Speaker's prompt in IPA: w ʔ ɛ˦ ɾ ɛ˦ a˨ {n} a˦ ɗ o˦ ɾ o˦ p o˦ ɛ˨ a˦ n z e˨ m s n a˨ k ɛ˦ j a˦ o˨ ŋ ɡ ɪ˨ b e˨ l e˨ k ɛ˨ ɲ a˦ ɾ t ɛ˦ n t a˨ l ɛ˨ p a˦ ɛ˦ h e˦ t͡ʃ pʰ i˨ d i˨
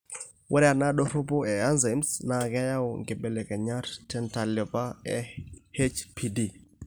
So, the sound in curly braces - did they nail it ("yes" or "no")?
yes